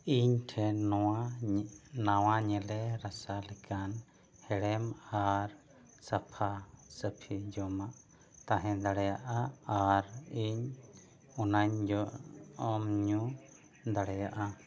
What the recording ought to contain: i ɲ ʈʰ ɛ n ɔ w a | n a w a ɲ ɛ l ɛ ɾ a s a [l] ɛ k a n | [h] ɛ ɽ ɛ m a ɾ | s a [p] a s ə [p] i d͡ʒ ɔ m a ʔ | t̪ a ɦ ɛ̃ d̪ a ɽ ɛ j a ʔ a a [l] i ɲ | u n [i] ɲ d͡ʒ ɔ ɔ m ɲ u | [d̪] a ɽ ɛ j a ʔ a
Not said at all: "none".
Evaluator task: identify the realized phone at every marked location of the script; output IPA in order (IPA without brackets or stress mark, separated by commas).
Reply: l, h, pʰ, pʰ, ɾ, a, d̪